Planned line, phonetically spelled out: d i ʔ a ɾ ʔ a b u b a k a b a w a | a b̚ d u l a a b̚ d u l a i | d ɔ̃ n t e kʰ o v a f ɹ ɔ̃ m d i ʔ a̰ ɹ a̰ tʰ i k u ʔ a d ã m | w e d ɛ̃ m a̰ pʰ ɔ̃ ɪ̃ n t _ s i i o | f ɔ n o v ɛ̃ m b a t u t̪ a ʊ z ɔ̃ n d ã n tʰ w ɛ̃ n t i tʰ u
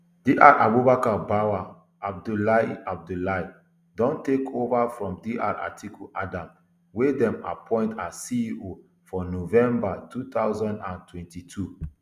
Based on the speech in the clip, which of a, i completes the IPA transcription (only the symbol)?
a